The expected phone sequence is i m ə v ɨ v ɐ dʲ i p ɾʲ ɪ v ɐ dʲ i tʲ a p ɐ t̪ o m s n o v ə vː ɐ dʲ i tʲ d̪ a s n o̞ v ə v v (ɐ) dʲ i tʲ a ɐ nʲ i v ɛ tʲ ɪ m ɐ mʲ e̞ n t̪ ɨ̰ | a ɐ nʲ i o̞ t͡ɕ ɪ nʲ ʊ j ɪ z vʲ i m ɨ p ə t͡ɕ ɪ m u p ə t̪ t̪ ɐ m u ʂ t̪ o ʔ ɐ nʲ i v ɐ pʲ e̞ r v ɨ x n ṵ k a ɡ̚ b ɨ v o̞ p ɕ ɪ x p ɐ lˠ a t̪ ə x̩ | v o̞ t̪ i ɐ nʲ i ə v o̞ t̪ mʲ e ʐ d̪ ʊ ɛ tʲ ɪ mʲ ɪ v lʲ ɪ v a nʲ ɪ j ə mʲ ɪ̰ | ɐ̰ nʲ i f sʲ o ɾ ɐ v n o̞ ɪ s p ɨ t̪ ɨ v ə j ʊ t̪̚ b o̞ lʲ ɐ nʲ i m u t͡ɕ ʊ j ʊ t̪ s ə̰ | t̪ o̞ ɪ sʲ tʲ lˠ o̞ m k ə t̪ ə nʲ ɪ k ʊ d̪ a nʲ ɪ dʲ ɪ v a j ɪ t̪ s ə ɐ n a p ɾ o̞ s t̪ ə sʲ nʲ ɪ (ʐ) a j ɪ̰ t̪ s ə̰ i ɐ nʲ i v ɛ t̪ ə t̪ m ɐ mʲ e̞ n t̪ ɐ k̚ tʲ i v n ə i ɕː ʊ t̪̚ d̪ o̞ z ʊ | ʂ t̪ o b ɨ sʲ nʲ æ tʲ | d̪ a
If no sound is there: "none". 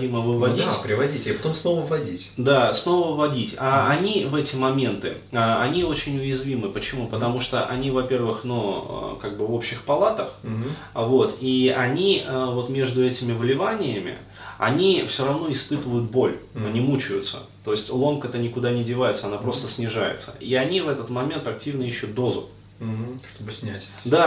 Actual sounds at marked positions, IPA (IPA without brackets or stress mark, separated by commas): ɐ, ʐ